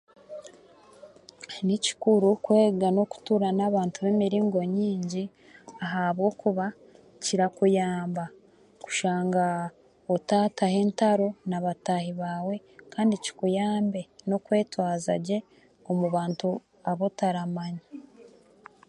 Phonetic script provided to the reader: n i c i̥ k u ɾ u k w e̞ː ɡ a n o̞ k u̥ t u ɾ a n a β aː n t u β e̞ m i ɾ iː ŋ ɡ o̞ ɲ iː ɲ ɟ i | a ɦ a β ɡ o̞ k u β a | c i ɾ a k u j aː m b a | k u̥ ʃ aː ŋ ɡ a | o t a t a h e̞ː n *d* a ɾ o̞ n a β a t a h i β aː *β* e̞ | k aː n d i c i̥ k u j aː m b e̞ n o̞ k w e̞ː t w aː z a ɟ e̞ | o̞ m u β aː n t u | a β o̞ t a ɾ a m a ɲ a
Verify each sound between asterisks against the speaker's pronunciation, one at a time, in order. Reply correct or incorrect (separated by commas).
incorrect, incorrect